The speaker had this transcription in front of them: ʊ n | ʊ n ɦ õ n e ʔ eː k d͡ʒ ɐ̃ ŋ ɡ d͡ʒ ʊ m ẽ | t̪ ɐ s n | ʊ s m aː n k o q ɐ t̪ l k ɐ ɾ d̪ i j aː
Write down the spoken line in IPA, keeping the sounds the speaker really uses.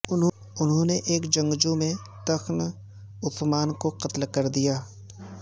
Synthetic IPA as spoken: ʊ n | ʊ n ɦ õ n e ʔ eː k d͡ʒ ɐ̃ ŋ ɡ d͡ʒ u m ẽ | t̪ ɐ x n | ʊ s m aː n k o q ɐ t̪ l k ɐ ɾ d̪ i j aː